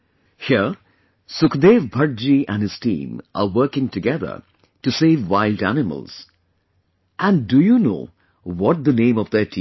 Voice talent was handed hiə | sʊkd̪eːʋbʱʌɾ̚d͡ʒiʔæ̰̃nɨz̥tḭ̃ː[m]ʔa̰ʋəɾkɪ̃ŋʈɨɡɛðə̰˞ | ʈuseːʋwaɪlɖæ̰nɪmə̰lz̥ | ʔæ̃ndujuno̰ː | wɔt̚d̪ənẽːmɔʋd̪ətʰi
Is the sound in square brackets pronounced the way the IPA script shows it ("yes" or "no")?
yes